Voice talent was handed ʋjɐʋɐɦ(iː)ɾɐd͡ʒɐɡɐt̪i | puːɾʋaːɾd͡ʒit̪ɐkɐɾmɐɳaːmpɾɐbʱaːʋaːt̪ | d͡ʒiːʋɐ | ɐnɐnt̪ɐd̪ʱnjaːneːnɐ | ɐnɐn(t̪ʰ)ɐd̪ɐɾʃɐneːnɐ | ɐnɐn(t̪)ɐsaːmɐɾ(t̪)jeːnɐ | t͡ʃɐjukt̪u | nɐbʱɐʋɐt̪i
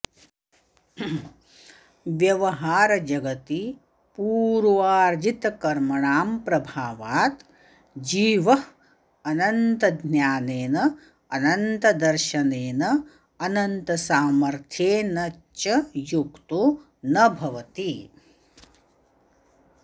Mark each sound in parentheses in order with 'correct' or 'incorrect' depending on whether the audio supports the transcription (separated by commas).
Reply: incorrect, incorrect, correct, incorrect